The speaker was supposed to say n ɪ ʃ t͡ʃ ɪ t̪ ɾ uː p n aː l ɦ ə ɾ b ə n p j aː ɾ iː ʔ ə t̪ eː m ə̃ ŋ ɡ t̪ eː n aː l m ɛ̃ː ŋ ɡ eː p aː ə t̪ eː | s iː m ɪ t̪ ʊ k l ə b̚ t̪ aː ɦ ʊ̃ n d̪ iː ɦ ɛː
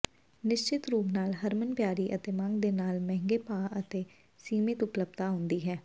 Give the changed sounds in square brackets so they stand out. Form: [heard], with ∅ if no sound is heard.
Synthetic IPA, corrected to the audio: n ɪ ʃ t͡ʃ ɪ t̪ ɾ uː p n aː l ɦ ə ɾ [m] ə n p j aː ɾ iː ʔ ə t̪ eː m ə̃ ŋ ɡ [d̪] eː n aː l m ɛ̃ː ŋ ɡ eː p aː ə t̪ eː | s iː m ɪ t̪ ʊ [p] l ə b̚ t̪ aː ɦ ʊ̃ n d̪ iː ɦ ɛː